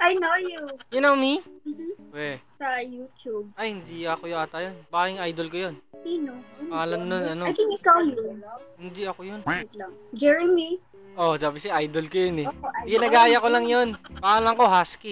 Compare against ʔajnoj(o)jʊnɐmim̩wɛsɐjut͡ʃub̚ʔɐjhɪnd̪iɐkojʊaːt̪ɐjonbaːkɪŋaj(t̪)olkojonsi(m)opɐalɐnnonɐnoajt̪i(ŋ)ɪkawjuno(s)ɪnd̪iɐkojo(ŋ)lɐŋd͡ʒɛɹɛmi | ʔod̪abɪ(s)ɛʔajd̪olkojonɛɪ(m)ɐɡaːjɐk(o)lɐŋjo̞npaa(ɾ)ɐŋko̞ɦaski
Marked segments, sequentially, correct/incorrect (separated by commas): incorrect, incorrect, incorrect, correct, incorrect, incorrect, correct, incorrect, correct, incorrect